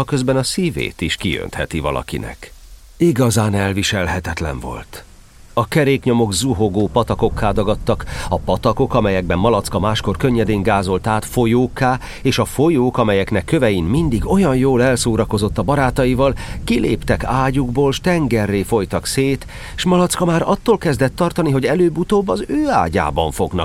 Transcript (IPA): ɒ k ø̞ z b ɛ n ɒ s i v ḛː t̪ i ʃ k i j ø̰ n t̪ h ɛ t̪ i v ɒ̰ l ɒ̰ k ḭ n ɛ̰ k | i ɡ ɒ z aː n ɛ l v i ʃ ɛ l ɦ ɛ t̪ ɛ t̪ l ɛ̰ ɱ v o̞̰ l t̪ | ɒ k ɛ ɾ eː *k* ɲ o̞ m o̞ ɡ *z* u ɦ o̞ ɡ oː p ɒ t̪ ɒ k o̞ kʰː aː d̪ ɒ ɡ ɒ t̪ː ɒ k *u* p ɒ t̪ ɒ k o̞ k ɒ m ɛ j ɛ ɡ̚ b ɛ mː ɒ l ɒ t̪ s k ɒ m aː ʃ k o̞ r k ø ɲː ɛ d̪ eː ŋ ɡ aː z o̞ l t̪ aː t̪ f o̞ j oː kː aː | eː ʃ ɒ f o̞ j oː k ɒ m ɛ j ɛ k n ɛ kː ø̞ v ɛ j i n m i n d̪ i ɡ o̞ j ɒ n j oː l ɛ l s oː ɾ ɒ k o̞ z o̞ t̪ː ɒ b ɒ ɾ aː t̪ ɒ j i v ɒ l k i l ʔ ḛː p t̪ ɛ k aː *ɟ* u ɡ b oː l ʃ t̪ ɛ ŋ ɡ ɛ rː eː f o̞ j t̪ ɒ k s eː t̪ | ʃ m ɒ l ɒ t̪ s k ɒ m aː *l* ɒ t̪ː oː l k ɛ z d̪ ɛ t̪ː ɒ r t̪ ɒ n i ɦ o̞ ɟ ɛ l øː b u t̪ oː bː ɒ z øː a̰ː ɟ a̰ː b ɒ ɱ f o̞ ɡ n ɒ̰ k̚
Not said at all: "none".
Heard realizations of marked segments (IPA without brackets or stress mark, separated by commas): k, z, ɒ, ɟ, ɾ